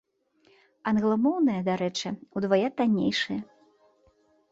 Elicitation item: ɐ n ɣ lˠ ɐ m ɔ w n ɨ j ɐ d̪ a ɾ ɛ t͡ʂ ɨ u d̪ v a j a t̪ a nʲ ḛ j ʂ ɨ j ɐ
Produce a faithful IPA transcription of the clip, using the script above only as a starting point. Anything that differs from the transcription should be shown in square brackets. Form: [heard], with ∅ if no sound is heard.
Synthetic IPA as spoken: ɐ n ɣ lˠ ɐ m ɔ w n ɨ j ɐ d̪ a ɾ ɛ t͡ʂ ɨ u d̪ v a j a t̪ a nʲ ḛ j ʂ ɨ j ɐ